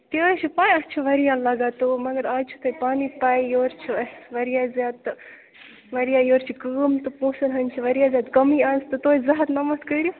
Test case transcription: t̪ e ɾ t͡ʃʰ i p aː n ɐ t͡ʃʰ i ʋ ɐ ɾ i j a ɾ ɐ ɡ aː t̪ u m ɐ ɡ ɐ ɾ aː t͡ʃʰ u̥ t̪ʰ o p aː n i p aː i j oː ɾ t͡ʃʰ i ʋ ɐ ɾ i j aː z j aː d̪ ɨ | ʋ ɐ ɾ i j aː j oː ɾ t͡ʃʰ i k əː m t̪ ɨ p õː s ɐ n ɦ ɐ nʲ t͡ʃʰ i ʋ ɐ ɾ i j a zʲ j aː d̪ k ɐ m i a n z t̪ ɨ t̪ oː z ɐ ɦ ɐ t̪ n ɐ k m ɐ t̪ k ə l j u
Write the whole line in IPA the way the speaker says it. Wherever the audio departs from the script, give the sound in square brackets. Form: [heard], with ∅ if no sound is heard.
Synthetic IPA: t̪ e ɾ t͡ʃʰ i p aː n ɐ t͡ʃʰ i ʋ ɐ ɾ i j a [l] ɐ ɡ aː t̪ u m ɐ ɡ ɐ ɾ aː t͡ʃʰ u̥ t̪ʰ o p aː n i p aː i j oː ɾ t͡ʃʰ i ʋ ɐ ɾ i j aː z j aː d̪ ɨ | ʋ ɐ ɾ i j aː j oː ɾ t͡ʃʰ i k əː m t̪ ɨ p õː s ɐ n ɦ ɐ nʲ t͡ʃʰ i ʋ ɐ ɾ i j a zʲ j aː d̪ k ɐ m i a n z t̪ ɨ t̪ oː z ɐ ɦ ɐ t̪ n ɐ [∅] m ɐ t̪ k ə [ɾ] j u